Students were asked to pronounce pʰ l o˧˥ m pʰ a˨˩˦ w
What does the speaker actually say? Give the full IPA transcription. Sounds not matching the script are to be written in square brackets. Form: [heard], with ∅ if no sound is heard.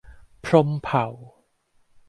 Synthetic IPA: pʰ [ɾ] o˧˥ m pʰ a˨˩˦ w

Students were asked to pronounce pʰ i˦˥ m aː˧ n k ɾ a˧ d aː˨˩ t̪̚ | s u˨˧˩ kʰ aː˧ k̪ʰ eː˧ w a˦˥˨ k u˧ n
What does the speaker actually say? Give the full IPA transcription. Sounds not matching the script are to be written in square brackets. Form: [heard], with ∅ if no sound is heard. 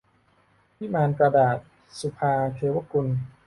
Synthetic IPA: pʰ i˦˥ m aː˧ n k ɾ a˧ d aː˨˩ t̪̚ | s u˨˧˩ [pʰ] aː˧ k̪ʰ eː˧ w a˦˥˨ k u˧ n

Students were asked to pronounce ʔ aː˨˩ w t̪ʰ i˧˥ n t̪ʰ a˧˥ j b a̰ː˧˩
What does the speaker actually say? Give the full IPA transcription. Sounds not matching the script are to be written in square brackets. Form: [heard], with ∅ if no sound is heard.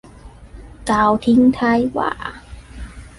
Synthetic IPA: [k] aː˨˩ w t̪ʰ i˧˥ [ŋ] t̪ʰ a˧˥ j [w] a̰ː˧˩

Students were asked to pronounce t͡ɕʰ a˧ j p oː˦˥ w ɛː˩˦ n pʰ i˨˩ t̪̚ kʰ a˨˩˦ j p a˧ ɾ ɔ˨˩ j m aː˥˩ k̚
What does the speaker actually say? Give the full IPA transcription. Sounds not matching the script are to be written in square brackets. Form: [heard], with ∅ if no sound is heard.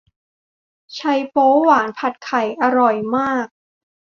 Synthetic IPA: t͡ɕʰ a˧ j p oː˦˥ w [aː˩˦] n pʰ [a˨˩] t̪̚ kʰ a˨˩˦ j [ʔ] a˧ ɾ ɔ˨˩ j m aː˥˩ k̚

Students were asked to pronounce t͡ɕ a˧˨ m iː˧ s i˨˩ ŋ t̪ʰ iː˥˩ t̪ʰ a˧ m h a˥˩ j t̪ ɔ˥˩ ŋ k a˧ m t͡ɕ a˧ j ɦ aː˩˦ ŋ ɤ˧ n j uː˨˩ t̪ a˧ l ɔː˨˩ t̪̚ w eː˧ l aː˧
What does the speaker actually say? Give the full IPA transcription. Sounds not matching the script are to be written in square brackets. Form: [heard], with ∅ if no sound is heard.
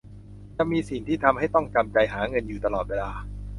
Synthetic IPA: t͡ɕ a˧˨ m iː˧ s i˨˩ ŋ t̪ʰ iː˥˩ t̪ʰ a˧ m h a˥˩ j t̪ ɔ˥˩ ŋ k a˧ m t͡ɕ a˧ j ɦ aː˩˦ ŋ ɤ˧ n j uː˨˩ t̪ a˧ l ɔː˨˩ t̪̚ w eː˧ l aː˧

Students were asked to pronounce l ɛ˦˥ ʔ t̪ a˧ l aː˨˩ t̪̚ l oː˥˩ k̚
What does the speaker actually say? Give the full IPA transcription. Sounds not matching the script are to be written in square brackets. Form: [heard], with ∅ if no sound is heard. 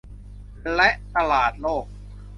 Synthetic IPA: l ɛ˦˥ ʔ t̪ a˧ l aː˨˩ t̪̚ l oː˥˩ k̚

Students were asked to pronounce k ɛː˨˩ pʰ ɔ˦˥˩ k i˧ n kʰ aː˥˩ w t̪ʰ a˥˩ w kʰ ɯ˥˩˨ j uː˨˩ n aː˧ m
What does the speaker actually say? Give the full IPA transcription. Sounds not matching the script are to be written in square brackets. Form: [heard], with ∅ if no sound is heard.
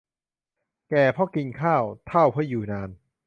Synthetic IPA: k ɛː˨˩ pʰ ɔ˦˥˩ k i˧ n kʰ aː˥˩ w t̪ʰ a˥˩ w [pʰ] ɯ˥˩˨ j uː˨˩ n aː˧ [n]

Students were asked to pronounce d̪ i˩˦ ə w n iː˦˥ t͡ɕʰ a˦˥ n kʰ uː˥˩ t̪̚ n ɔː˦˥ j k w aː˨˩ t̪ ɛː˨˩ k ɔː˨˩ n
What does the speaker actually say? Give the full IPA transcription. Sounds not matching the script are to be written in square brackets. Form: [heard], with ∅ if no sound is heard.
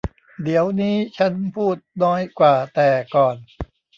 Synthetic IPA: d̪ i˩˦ ə w n iː˦˥ t͡ɕʰ a˦˥ n [pʰ] uː˥˩ t̪̚ n ɔː˦˥ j k w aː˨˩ t̪ ɛː˨˩ k ɔː˨˩ n

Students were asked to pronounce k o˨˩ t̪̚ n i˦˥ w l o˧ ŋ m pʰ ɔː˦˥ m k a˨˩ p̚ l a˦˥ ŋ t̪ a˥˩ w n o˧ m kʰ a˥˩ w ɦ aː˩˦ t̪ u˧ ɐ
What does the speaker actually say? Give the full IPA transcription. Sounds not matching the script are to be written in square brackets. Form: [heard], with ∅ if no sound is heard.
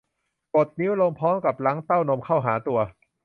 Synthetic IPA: k o˨˩ t̪̚ n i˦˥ w l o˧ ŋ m pʰ ɔː˦˥ m k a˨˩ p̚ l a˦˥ ŋ t̪ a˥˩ w n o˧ m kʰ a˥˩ w ɦ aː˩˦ t̪ u˧ ɐ

